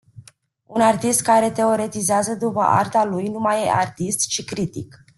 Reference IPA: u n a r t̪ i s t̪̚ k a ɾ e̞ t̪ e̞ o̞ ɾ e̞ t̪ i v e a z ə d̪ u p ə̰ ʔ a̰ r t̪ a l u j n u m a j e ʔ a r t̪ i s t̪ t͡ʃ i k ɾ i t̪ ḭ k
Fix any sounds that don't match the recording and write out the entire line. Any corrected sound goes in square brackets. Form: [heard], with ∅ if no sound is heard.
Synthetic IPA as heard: u n a r t̪ i s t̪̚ k a ɾ e̞ t̪ e̞ o̞ ɾ e̞ t̪ i [z] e a z ə d̪ u p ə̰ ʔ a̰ r t̪ a l u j n u m a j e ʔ a r t̪ i s t̪ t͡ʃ i k ɾ i t̪ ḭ k